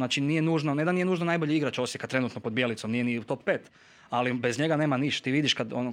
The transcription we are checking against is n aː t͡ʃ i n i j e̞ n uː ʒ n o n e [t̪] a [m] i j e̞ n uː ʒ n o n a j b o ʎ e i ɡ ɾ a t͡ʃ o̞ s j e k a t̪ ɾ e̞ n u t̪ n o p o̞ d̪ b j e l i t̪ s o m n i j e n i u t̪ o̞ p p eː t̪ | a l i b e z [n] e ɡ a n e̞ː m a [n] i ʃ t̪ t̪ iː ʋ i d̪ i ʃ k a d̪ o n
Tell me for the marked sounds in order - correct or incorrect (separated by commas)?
incorrect, incorrect, incorrect, correct